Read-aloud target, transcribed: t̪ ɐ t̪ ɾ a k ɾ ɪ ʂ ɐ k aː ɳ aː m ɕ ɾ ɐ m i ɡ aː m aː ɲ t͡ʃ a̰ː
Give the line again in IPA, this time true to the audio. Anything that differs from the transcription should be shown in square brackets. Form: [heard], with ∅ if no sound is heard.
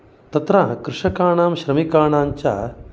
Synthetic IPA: t̪ ɐ t̪ ɾ a k ɾ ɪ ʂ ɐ k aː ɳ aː m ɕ ɾ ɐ m i [k] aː [ɳ] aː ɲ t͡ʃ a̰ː